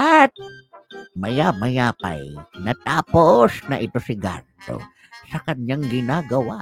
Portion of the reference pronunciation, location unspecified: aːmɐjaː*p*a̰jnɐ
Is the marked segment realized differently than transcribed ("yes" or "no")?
no